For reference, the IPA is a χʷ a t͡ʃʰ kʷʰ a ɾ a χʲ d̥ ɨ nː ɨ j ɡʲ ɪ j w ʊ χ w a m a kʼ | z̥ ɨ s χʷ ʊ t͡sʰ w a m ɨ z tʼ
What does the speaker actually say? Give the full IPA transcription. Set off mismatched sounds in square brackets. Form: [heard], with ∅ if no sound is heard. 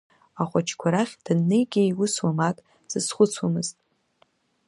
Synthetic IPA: a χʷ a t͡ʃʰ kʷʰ a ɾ a χʲ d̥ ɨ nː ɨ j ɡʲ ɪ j w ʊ [s] w a m a kʼ | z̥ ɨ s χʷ ʊ t͡sʰ w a m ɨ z tʼ